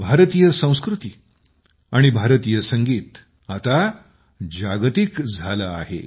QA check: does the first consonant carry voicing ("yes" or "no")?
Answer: yes